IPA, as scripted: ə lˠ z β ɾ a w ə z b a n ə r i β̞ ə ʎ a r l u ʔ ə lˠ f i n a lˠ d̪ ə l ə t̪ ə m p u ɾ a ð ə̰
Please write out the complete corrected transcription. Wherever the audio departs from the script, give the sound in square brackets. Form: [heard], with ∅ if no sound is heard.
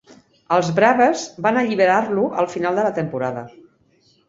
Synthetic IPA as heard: ə lˠ z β ɾ a [β] ə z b a n ə [ʎ] i β̞ ə [ɾ] a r l u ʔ ə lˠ f i n a lˠ d̪ ə l ə t̪ ə m p u ɾ a ð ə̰